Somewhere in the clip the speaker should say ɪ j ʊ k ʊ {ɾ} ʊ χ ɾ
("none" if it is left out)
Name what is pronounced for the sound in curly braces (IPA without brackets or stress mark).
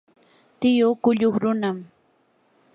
ʎ